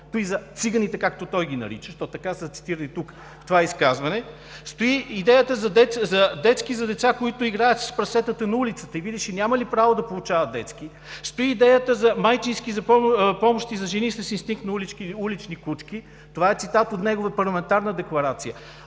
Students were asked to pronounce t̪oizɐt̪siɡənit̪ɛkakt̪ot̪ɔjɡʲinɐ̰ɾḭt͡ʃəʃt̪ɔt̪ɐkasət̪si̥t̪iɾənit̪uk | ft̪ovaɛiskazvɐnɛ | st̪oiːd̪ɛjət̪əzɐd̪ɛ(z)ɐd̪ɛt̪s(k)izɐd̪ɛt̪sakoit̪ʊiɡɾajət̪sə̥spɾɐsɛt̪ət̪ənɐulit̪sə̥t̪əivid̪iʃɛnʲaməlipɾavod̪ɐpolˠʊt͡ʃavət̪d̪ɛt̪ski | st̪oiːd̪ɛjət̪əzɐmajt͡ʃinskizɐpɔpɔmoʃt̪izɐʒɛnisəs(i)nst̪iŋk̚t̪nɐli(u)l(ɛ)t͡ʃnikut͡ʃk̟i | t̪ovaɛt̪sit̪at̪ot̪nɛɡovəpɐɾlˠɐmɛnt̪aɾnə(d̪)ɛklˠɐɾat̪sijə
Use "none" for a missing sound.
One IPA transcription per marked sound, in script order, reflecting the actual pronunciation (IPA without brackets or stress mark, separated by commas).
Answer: z, k, i, u, i, d̪